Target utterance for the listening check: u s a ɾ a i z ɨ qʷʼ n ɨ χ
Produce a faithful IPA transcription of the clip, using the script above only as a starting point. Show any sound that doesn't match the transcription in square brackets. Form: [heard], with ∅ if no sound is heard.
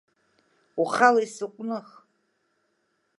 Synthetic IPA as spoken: u [χ] a [l] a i [s] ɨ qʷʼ n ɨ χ